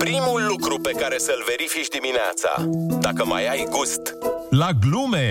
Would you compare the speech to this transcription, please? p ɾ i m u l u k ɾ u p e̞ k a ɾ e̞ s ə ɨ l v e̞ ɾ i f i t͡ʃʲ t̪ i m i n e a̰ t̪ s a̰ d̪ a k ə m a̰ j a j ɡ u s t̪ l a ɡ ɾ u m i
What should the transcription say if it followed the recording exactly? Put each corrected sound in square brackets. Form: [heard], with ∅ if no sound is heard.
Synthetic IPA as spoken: p ɾ i m u [lː] u k ɾ u p e̞ k a ɾ e̞ s ə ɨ l v e̞ ɾ i f i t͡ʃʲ [d̪] i m i n e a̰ t̪ s a̰ d̪ a k ə m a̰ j a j ɡ u s t̪ l a ɡ [l] u m [e]